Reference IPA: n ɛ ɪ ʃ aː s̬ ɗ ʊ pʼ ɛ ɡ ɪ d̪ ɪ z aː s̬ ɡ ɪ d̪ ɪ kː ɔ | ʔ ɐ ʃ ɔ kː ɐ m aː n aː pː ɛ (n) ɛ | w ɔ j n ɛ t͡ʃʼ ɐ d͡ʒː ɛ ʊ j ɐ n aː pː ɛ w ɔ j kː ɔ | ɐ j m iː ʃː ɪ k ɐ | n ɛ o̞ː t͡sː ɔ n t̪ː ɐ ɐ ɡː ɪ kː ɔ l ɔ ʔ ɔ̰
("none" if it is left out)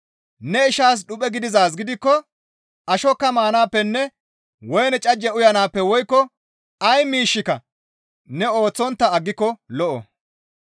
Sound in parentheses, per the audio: nː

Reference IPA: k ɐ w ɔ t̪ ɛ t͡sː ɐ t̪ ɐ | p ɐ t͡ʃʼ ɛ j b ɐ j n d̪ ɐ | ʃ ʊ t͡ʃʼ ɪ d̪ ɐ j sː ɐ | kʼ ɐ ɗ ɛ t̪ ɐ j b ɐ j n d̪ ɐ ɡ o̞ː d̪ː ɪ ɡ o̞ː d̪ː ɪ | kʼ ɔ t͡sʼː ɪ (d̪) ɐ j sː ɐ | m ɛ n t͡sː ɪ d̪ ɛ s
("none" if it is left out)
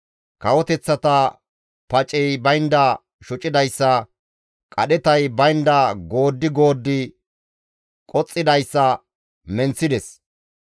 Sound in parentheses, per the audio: d̪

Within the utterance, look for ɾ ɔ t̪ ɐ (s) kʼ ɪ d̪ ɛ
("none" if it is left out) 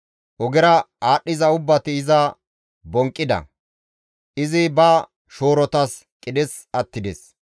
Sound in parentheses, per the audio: s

